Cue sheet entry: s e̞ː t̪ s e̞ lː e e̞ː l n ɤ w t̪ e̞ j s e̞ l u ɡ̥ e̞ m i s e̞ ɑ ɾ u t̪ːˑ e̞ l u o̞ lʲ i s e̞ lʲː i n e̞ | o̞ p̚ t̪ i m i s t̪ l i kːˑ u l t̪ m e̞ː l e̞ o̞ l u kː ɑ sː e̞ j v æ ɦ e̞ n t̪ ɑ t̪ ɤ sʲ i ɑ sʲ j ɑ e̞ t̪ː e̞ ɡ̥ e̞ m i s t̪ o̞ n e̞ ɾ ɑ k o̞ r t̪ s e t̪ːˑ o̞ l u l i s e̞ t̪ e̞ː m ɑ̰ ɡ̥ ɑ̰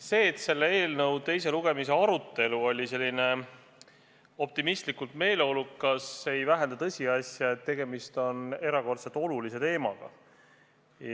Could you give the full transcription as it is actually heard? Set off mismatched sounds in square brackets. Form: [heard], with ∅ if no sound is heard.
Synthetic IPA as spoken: s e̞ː t̪ s e̞ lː e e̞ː l n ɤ w t̪ e̞ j s e̞ l u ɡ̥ e̞ m i s e̞ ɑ ɾ u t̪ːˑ e̞ l u o̞ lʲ i s e̞ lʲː i n e̞ | o̞ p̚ t̪ i m i s t̪ l i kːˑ u l t̪ m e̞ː l e̞ o̞ l u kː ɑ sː e̞ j v æ ɦ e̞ n [d̪] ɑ t̪ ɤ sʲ i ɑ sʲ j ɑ e̞ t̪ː e̞ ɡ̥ e̞ m i s t̪ o̞ n e̞ ɾ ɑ k o̞ r t̪ s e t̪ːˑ o̞ l u l i s e̞ t̪ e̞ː m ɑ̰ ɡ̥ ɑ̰